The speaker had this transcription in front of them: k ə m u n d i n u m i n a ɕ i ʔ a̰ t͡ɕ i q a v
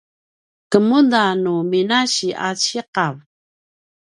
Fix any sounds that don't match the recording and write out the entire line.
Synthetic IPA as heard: k ə m u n d a n u m i n a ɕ i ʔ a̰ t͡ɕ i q a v